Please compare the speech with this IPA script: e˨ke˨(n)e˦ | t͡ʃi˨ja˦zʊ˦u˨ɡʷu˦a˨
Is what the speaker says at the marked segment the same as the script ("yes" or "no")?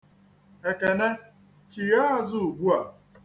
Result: yes